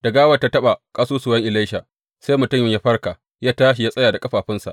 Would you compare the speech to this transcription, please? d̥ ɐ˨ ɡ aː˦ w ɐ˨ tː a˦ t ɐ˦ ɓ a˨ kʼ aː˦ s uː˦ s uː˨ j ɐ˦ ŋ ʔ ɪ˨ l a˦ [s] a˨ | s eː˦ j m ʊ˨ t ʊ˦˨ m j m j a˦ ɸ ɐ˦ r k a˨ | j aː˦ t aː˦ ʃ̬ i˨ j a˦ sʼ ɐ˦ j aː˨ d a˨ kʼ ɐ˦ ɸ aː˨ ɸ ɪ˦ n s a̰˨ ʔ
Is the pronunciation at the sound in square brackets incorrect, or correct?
incorrect: ʃ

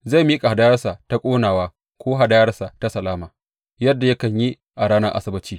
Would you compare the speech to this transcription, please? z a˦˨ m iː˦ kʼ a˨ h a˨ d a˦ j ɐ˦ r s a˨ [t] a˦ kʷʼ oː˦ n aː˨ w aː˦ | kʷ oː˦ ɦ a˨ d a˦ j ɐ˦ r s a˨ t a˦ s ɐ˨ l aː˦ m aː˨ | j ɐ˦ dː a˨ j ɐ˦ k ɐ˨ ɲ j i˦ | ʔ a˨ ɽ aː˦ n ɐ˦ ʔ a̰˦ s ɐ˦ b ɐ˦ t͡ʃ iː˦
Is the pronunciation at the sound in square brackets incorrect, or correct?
correct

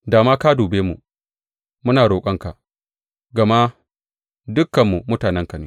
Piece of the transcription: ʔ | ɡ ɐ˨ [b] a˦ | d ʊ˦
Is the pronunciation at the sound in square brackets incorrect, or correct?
incorrect: m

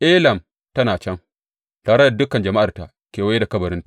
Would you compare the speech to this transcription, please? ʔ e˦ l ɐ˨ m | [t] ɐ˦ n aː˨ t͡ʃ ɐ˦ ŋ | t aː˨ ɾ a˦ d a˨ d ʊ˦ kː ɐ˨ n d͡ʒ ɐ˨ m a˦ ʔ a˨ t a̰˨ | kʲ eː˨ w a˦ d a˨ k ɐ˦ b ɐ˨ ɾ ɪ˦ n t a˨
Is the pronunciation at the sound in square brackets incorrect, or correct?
correct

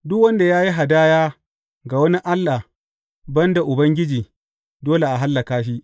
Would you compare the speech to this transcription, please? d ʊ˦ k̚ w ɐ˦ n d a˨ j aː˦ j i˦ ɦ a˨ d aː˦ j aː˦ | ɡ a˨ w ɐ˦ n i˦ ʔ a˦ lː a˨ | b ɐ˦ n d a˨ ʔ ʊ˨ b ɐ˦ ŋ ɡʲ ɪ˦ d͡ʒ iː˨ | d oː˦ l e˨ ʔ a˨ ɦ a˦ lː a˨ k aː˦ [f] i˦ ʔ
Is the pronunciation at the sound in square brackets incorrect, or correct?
incorrect: ʃ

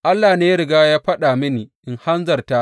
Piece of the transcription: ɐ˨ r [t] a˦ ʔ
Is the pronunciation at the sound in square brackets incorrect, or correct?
correct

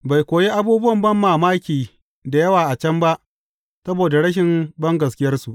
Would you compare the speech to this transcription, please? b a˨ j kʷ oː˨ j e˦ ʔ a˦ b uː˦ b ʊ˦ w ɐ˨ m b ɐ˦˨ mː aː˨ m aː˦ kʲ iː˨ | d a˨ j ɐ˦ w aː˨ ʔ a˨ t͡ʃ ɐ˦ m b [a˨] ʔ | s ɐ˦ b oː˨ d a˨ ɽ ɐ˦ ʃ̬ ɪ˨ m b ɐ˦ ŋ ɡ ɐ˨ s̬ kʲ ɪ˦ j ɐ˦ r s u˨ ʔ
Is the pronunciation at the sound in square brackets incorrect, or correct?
incorrect: a˦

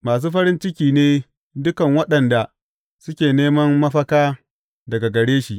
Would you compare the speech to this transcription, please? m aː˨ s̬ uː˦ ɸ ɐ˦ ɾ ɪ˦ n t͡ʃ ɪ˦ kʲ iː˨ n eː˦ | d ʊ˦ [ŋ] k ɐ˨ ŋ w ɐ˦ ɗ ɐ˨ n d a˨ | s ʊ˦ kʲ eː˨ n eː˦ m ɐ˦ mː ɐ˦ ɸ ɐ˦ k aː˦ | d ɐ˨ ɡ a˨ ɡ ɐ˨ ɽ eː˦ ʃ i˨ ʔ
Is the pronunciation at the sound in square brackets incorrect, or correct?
incorrect: none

